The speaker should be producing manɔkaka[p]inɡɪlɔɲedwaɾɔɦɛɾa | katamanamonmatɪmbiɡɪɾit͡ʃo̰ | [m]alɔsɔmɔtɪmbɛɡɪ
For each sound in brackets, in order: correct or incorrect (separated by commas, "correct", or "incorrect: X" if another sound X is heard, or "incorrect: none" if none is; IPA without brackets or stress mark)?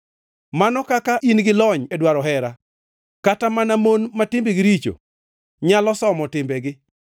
incorrect: ʔ, incorrect: ɲ